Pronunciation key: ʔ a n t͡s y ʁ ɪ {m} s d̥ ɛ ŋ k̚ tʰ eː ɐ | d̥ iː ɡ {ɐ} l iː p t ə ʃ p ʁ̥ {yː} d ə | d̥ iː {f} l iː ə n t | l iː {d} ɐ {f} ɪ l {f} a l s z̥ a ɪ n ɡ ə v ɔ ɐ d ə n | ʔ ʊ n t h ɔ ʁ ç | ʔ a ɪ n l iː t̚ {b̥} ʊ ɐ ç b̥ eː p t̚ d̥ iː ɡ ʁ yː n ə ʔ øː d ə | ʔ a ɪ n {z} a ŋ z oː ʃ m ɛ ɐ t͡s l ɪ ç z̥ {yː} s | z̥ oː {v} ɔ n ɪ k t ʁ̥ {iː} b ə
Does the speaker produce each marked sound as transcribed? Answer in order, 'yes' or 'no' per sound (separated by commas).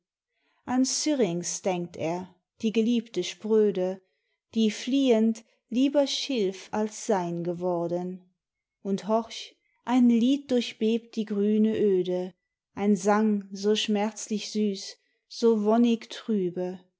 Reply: no, no, no, yes, no, no, yes, no, yes, yes, yes, no